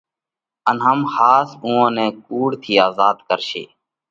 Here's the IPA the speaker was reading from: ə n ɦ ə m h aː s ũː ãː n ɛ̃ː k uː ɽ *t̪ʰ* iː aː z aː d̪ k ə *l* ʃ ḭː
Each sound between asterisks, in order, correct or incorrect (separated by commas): correct, incorrect